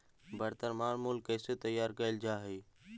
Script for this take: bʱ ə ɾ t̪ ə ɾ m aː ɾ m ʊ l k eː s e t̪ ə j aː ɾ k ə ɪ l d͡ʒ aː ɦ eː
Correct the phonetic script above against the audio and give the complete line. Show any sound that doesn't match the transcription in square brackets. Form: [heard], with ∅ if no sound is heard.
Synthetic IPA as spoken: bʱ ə ɾ t̪ ə ɾ m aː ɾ m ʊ l k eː s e t̪ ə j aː ɾ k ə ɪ l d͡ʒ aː ɦ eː